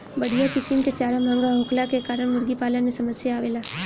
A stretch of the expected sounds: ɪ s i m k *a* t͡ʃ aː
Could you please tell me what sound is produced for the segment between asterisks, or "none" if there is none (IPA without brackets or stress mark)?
e